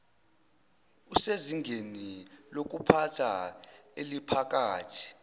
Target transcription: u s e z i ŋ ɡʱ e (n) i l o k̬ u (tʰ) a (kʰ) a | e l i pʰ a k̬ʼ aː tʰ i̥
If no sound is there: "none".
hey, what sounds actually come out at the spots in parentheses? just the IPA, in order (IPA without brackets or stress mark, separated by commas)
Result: n, pʰ, tʰ